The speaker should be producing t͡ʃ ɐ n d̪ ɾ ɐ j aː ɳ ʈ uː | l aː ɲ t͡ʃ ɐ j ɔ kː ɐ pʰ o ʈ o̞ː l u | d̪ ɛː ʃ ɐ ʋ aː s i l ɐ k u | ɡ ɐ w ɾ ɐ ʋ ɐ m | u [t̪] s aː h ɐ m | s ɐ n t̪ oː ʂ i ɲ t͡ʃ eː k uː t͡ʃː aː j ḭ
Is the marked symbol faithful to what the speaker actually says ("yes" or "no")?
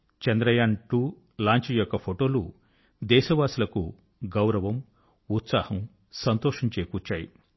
yes